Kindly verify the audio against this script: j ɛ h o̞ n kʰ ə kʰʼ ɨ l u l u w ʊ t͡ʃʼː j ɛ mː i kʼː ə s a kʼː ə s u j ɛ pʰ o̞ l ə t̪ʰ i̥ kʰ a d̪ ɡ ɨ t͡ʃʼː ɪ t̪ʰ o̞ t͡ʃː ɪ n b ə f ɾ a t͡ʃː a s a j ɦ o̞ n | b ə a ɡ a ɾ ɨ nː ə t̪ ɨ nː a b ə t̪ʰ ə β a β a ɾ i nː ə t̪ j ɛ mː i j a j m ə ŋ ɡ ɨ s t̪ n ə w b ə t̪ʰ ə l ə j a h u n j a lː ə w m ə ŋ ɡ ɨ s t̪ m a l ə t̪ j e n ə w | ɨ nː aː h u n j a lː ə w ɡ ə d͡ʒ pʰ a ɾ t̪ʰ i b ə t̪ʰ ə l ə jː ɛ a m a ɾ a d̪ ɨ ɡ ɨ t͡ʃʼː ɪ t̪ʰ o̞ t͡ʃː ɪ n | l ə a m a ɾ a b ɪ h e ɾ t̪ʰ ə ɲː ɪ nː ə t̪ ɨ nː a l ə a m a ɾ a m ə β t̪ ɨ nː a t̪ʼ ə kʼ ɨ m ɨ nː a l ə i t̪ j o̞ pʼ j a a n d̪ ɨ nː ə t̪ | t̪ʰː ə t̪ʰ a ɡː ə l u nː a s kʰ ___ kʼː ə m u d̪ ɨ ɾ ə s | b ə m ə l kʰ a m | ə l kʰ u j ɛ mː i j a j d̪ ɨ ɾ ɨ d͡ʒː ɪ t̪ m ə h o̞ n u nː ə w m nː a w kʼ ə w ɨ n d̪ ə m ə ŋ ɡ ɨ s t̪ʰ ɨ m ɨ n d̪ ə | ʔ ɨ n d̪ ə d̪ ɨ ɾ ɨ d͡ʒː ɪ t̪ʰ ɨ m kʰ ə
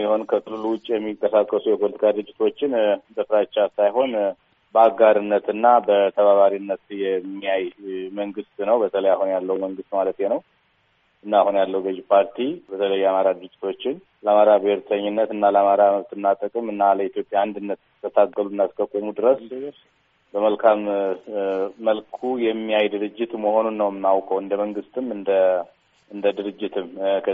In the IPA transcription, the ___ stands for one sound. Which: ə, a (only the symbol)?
ə